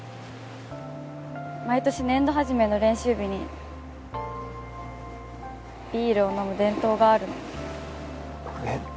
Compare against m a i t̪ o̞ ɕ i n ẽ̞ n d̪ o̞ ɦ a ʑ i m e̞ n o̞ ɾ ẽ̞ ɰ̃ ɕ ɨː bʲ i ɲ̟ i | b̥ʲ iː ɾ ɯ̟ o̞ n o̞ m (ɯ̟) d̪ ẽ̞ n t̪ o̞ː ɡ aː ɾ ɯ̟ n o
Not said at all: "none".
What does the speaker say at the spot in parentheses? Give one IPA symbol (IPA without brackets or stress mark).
ɯ̟